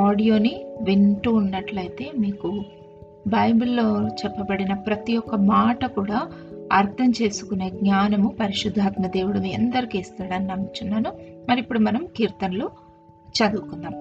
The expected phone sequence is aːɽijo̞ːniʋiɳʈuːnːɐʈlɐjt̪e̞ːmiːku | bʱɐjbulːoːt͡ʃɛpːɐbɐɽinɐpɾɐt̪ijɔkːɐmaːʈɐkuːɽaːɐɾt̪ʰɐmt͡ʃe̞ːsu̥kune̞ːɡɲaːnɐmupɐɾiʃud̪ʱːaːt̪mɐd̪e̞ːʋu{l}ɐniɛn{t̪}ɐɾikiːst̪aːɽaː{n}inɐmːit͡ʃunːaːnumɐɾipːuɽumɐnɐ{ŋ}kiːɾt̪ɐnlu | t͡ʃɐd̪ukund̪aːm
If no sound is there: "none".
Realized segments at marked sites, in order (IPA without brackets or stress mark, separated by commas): ɽ, d̪, n, m